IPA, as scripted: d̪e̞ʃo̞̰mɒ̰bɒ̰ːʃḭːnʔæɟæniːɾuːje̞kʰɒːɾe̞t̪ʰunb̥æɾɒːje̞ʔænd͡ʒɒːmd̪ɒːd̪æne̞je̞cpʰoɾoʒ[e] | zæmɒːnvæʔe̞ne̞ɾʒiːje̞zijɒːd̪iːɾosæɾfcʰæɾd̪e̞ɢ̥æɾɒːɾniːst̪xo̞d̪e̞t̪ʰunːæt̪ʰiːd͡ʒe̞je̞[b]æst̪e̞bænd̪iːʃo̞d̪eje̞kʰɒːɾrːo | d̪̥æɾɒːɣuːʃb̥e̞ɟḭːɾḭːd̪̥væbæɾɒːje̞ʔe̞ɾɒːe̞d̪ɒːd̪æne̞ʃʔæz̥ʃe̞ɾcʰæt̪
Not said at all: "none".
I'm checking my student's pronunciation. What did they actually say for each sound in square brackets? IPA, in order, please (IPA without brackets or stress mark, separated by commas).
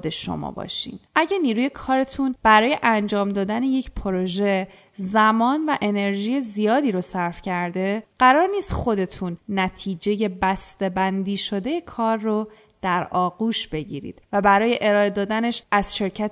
e, b